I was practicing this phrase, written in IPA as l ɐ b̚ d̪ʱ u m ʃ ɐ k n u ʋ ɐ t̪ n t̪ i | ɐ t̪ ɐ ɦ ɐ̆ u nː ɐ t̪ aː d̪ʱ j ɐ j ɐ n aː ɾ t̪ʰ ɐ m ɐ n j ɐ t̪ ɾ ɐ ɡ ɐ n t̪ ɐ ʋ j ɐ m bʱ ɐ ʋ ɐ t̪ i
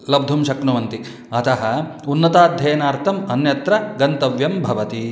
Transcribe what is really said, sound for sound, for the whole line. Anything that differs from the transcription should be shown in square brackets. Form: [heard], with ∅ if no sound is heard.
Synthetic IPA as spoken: l ɐ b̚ d̪ʱ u m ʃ ɐ k n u ʋ ɐ [∅] n t̪ i | ɐ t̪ ɐ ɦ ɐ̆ u nː ɐ t̪ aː d̪ʱ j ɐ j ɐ n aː ɾ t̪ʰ ɐ m ɐ n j ɐ t̪ ɾ ɐ ɡ ɐ n t̪ ɐ ʋ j ɐ m bʱ ɐ ʋ ɐ t̪ i